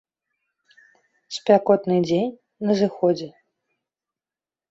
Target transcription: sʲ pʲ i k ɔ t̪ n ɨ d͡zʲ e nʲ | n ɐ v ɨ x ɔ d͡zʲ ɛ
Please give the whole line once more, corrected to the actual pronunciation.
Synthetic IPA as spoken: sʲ pʲ a k ɔ t̪ n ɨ d͡zʲ e nʲ | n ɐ z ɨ x ɔ d͡zʲ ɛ